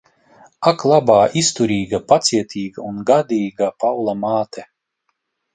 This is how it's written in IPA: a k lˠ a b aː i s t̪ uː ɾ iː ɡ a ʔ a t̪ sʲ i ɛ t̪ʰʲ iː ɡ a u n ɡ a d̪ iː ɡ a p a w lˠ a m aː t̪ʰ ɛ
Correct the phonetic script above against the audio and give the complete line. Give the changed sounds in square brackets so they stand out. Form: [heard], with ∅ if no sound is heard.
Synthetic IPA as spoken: a k lˠ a b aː i s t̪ [u] ɾ iː ɡ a [p] a t̪ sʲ i ɛ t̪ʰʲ iː ɡ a u n ɡ a d̪ iː ɡ a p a w lˠ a m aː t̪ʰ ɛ

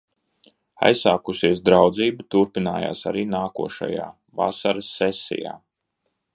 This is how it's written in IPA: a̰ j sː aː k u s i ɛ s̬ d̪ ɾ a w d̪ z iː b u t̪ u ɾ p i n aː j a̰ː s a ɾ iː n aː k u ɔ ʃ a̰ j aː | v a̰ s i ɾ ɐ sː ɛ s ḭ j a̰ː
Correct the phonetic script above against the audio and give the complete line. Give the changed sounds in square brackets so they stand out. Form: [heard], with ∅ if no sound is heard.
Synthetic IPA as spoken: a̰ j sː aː k u s i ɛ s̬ d̪ ɾ a w d̪ z iː b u t̪ u ɾ p i n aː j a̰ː s a ɾ iː n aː k u ɔ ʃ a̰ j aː | v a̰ s [a] ɾ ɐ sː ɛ s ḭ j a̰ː

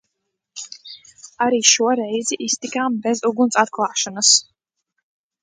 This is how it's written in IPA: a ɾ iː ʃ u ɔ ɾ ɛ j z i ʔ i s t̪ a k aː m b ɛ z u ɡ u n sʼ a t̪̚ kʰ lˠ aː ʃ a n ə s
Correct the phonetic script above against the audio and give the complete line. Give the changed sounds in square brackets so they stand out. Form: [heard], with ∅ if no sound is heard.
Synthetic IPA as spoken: a ɾ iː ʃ u ɔ ɾ ɛ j z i ʔ i s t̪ [i] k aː m b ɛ z u ɡ u n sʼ a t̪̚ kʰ lˠ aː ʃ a n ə s

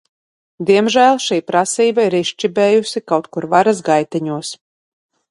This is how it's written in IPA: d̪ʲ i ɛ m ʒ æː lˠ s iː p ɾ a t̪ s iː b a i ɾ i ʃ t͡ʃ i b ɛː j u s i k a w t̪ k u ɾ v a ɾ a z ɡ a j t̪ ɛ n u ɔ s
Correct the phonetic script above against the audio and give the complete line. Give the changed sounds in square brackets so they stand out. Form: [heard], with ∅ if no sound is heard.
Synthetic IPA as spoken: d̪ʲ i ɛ m ʒ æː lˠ [ʃ] iː p ɾ a [∅] s iː b a i ɾ i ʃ t͡ʃ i b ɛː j u s i k a w t̪ k u ɾ v a ɾ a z ɡ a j t̪ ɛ [ɲ] u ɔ s

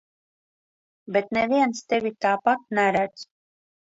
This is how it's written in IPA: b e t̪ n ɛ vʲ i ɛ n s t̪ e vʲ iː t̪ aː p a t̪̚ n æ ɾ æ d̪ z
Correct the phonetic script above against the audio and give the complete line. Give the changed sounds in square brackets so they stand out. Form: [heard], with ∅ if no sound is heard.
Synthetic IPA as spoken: b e t̪ n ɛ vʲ i ɛ n s t̪ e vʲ [i] t̪ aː p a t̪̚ n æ ɾ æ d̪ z

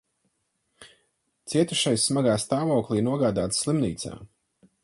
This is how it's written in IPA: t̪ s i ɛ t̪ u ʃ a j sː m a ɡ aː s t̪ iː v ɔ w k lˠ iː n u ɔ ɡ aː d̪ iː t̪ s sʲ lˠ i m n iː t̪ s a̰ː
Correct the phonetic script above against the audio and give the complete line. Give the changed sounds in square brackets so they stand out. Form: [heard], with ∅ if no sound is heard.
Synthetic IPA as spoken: t̪ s i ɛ t̪ u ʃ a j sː m a ɡ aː s t̪ [aː] v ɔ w k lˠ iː n u ɔ ɡ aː d̪ [aː] t̪ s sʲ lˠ i m n iː t̪ s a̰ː

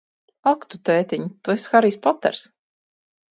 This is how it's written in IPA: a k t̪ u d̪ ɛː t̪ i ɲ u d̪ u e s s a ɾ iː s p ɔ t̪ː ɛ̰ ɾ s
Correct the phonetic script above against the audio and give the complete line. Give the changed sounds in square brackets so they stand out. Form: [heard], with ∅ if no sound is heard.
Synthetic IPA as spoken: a k t̪ u [t̪] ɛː t̪ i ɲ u [t̪] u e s [x] a ɾ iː s p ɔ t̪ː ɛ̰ ɾ s

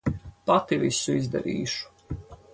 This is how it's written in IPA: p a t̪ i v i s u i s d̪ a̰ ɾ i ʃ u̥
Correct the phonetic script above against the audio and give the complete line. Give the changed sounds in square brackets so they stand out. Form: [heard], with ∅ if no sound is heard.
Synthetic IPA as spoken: p a t̪ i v i s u i [z] d̪ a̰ ɾ [iː] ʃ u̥

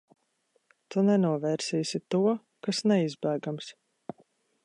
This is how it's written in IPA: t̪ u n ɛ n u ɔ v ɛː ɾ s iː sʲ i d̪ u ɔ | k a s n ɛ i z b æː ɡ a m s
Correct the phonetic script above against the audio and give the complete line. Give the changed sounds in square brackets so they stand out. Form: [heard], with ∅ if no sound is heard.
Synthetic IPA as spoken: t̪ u n ɛ n u ɔ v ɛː ɾ s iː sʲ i [t̪] u ɔ | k a s n ɛ i z b æː ɡ a m s

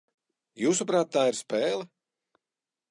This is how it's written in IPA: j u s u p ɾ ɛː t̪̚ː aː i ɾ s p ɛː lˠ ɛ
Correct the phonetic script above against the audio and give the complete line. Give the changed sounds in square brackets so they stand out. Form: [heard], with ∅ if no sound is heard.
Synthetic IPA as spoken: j [uː] s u p ɾ [aː] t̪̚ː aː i ɾ s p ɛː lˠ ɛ

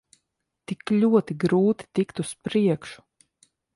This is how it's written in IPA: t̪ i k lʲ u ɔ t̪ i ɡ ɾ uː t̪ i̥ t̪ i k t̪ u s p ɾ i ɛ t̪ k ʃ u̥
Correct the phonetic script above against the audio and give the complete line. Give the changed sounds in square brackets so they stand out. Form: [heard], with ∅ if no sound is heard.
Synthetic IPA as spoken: t̪ i k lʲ u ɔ t̪ i ɡ ɾ uː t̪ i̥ t̪ i k t̪ u s p ɾ i ɛ [∅] k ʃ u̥

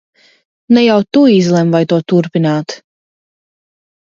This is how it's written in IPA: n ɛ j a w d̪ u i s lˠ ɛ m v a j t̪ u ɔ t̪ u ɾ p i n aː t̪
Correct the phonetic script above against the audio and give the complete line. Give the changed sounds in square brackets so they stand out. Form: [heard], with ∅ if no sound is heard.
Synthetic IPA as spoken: n ɛ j a w [t̪] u i [z] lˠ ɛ m v a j t̪ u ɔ t̪ u ɾ p i n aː t̪

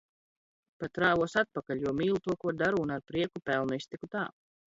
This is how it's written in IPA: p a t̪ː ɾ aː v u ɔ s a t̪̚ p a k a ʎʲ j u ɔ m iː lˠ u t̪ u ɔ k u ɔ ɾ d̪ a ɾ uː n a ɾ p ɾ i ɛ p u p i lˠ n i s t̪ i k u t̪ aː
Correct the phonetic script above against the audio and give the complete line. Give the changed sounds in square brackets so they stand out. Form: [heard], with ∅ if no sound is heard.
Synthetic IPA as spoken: p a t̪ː ɾ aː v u ɔ s a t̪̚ p a k a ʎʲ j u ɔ m iː lˠ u t̪ u ɔ k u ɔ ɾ d̪ a ɾ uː n a ɾ p ɾ i ɛ [k] u p [ɛ] lˠ n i s t̪ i k u t̪ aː

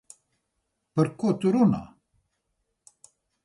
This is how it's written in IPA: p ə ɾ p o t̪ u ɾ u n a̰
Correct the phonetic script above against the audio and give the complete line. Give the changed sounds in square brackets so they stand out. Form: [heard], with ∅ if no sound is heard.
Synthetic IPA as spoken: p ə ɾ [k] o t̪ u ɾ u n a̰

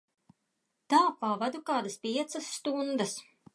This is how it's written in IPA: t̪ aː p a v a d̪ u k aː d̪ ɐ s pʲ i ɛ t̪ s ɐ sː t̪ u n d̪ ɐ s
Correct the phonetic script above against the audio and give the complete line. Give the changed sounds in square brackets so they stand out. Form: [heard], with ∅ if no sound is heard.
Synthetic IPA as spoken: t̪ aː p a v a d̪ u k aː d̪ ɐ s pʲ i ɛ t̪ s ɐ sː t̪ u n d̪ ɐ s

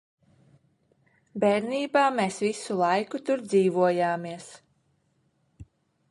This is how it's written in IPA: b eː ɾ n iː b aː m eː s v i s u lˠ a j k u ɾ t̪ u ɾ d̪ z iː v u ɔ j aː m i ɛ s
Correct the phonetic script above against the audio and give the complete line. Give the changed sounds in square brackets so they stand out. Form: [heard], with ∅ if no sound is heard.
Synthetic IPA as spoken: b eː ɾ n iː b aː m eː s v i s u lˠ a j k u [∅] t̪ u ɾ d̪ z iː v u ɔ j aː m i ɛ s

